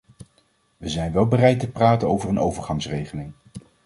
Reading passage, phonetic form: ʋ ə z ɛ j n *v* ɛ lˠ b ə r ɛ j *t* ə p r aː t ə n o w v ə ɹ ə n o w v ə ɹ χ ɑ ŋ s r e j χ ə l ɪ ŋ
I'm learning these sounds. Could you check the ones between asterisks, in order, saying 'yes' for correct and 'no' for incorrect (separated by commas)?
no, yes